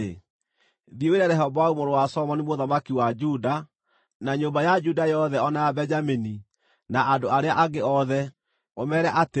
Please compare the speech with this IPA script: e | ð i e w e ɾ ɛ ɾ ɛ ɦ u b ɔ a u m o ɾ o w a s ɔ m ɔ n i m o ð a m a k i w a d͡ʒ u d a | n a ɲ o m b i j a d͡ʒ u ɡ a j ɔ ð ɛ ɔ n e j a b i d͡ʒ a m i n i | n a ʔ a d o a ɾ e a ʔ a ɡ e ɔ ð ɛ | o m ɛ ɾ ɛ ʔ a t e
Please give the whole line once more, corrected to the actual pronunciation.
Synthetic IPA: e | ð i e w e ɾ ɛ ɾ ɛ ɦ ɔ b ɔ a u m o ɾ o w a s ɔ m ɔ n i m o ð a m a k i w a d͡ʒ u d a | n a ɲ o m b a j a d͡ʒ u d a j ɔ ð ɛ ɔ n a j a b ɛ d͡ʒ a m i n i | n a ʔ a d o a ɾ e a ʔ a ɡ e ɔ ð ɛ | o m ɛ ɾ ɛ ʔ a t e